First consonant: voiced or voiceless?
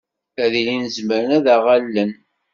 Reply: voiced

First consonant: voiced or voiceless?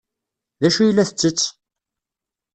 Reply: voiced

